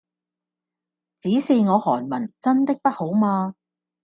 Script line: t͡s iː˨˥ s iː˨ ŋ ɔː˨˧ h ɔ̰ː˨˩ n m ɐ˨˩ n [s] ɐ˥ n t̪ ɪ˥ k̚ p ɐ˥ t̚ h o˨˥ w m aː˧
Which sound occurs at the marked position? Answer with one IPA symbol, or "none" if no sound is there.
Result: t͡s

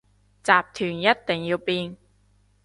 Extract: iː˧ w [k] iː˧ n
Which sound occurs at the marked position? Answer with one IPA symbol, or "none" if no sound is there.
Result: p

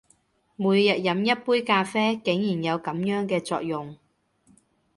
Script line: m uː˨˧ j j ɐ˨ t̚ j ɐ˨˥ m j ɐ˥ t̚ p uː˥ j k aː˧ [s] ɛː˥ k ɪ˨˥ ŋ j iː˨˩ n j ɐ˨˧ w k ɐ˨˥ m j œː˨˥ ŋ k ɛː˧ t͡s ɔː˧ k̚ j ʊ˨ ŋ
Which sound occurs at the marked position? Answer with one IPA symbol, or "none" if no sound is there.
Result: f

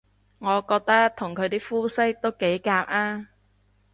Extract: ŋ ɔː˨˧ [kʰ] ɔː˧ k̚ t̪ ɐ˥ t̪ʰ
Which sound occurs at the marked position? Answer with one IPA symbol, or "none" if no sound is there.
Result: k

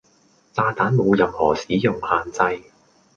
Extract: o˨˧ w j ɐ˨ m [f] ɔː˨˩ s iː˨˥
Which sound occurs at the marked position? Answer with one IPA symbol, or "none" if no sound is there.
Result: h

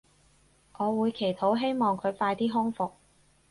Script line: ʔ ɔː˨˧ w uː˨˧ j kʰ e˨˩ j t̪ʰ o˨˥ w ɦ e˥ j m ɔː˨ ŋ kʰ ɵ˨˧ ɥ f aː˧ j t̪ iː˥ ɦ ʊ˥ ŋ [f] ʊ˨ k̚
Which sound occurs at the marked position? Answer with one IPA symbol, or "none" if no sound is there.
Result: f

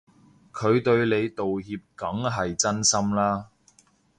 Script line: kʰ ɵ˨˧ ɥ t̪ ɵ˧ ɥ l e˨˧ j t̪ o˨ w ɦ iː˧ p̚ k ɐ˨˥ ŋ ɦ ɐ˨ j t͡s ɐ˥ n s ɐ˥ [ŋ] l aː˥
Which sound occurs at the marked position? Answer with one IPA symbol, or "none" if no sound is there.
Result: m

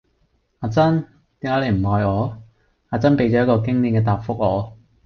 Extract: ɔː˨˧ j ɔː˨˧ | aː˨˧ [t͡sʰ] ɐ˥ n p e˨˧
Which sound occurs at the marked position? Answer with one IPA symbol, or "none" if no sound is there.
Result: t͡s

